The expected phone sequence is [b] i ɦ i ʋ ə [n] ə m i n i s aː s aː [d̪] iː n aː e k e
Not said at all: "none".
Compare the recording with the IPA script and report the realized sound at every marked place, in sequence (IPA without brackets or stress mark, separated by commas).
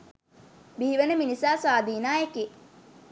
b, n, d̪